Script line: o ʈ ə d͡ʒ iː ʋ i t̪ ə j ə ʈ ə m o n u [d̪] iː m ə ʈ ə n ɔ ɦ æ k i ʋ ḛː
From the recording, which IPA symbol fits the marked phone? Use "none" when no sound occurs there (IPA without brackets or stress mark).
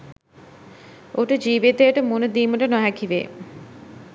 d̪